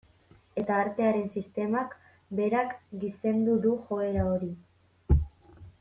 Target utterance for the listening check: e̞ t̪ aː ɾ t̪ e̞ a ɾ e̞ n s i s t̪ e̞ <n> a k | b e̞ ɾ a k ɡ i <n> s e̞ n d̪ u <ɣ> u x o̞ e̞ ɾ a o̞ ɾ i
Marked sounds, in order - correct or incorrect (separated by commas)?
incorrect, incorrect, incorrect